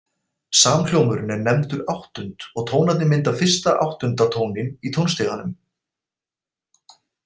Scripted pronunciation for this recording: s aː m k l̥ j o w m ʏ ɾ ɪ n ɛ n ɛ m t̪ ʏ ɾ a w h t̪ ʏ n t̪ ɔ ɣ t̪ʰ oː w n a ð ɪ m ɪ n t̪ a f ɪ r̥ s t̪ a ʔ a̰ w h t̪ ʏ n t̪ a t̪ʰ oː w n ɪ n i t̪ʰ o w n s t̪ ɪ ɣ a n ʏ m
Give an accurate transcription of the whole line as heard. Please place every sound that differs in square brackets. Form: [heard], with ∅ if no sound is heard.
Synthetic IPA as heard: s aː m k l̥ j o w m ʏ ɾ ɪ n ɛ n ɛ m t̪ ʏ ɾ a w h t̪ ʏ n t̪ ɔ ɣ t̪ʰ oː w n a ð ɪ m ɪ n t̪ a f ɪ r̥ s t̪ a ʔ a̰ w h t̪ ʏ n t̪ a t̪ʰ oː w n ɪ n i t̪ʰ o w n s t̪ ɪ ɣ a n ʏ m

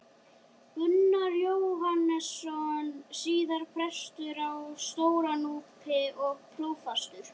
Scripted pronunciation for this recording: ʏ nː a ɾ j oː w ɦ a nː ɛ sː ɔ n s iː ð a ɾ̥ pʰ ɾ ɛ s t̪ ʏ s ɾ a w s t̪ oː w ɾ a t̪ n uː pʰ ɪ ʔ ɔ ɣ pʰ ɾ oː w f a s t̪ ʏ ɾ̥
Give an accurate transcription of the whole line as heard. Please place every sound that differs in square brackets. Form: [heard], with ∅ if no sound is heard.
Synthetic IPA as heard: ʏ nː a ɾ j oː w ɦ a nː ɛ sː ɔ n s iː ð a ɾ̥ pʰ ɾ ɛ s t̪ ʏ [∅] ɾ a w s t̪ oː w ɾ a [∅] n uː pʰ ɪ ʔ ɔ ɣ pʰ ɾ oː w f a s t̪ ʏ ɾ̥

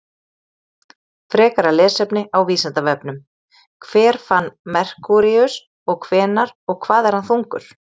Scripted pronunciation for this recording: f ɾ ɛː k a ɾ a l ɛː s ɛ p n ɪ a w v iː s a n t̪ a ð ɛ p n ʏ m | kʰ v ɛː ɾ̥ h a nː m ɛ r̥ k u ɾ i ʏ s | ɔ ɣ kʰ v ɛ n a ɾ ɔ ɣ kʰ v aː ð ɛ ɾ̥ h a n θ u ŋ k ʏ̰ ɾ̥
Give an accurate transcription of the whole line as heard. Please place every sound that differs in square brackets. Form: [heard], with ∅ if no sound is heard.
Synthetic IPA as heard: f ɾ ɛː k a ɾ a l ɛː s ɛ p n ɪ a w v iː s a n t̪ a [v] ɛ p n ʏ m | kʰ v ɛː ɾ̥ [f] a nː m ɛ r̥ k u ɾ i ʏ s | ɔ ɣ kʰ v [ɛː] n a ɾ ɔ ɣ kʰ v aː ð ɛ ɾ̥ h a n θ u ŋ k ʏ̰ ɾ̥

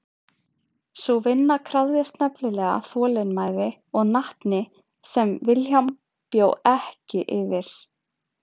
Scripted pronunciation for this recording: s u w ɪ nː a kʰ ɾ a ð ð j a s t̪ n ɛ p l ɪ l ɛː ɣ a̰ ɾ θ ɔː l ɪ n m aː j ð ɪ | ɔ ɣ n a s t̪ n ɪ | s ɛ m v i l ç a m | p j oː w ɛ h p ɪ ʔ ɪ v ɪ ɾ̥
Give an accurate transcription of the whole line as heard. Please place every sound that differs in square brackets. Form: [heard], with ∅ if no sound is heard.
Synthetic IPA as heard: s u [v] ɪ nː a kʰ ɾ a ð ð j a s t̪ n ɛ p l ɪ l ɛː ɣ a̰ [∅] θ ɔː l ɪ n m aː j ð ɪ | ɔ ɣ n a [h] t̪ n ɪ | s ɛ m v [ɪ] l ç a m | p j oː w ɛ h [c] ɪ ʔ ɪ v ɪ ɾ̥

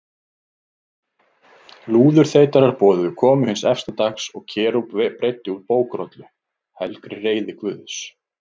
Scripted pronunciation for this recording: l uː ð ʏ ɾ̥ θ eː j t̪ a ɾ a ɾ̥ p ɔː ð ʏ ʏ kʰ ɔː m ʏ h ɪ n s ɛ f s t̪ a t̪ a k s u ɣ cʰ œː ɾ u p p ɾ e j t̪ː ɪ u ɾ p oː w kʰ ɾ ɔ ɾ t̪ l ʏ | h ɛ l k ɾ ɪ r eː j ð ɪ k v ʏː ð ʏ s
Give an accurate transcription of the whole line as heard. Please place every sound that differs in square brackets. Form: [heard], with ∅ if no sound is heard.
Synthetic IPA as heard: l uː ð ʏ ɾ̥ θ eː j t̪ a ɾ a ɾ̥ p ɔː ð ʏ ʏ kʰ ɔː m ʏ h ɪ n s ɛ f s t̪ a t̪ a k s [ɔ] ɣ cʰ [ɛː] ɾ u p p ɾ e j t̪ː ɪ u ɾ p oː w [k] ɾ ɔ [∅] t̪ l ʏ | h ɛ l k ɾ ɪ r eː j ð ɪ k v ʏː ð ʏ s

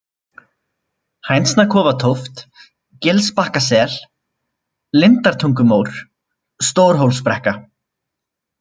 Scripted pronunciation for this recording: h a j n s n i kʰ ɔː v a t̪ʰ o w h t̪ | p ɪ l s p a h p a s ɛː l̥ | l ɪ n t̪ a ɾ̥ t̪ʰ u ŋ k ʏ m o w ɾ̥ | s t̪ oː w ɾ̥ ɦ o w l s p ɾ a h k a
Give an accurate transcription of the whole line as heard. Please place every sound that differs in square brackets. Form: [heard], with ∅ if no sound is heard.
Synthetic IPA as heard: h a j n s n [a] kʰ ɔː v a t̪ʰ o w [f] t̪ | [c] ɪ l s p a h [k] a s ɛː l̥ | l ɪ n t̪ a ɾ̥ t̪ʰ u ŋ k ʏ m o w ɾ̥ | s t̪ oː w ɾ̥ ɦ o w l s p ɾ [ɛ] h k a

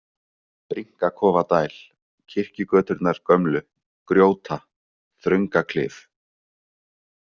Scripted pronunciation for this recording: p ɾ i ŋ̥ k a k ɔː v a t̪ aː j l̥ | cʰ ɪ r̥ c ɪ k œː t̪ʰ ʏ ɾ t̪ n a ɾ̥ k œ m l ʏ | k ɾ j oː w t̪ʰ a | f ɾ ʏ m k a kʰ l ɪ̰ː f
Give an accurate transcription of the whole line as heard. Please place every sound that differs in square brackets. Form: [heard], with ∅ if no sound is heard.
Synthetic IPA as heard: p ɾ i ŋ̥ k a [kʰ] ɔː v a t̪ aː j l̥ | cʰ ɪ r̥ c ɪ k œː [t̪] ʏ ɾ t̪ n a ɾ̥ k œ m l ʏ | k ɾ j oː w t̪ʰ a | [θ] ɾ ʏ [ŋ] k a kʰ l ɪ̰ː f

